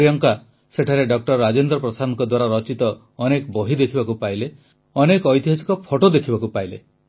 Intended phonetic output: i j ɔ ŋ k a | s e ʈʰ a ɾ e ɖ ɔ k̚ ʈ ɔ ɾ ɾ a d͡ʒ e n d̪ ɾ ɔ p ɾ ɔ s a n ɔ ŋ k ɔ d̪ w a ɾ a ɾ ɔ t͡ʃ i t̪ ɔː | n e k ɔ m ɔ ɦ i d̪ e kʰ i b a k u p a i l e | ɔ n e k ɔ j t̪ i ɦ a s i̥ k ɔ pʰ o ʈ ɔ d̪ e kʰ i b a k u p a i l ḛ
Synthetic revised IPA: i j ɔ ŋ k a | s e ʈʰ a ɾ e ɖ ɔ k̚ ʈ ɔ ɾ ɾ a d͡ʒ e n d̪ ɾ ɔ p ɾ ɔ s a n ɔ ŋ k ɔ d̪ w a ɾ a ɾ ɔ t͡ʃ i t̪ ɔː | n e k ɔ b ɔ ɦ i d̪ e kʰ i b a k u p a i l e | ɔ n e k ɔ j t̪ i ɦ a s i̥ k ɔ pʰ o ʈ o d̪ e kʰ i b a k u p a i l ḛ